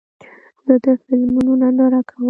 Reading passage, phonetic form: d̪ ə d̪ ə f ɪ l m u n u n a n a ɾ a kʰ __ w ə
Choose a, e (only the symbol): a